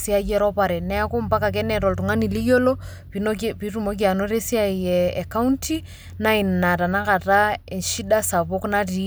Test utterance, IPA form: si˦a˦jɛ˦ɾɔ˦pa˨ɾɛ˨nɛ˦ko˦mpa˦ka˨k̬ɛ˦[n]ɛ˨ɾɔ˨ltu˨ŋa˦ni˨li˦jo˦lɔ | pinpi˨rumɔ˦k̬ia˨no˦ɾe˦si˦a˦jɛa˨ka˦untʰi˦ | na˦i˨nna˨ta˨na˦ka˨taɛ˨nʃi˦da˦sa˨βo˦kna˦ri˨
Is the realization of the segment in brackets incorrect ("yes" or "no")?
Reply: no